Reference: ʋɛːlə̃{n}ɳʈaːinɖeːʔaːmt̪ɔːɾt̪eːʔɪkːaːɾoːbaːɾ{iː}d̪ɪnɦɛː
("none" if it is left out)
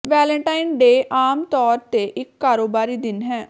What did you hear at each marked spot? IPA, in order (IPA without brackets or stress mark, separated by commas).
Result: none, iː